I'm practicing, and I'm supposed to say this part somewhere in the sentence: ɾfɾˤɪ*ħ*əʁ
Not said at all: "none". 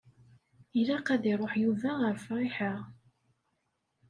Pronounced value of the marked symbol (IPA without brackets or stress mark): ħ